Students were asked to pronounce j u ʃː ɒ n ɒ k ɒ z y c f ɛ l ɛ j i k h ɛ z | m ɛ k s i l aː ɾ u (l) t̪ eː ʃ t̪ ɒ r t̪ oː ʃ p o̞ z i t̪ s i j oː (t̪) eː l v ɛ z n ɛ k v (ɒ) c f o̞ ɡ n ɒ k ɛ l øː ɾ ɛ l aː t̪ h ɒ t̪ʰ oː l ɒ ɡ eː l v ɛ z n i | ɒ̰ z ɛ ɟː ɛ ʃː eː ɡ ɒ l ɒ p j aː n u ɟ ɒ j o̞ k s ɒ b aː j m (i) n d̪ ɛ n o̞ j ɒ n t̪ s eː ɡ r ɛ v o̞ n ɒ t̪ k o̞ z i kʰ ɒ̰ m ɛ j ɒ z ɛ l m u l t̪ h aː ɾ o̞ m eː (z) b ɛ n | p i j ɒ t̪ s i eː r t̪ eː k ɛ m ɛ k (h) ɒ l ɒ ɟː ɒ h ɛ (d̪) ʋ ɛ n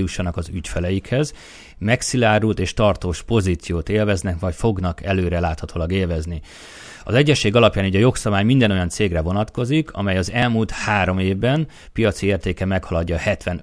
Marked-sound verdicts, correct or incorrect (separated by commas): correct, correct, correct, correct, incorrect, correct, incorrect